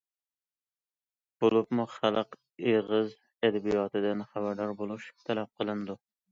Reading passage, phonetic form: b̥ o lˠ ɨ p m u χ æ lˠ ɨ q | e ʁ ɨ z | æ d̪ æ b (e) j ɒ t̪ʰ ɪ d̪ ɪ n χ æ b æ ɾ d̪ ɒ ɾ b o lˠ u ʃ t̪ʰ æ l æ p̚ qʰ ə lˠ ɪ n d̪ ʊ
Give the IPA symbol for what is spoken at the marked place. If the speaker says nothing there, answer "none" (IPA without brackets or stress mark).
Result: i